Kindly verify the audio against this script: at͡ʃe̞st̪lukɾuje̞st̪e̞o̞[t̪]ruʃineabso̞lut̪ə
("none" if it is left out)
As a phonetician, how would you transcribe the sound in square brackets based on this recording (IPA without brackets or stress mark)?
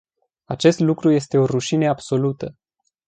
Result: none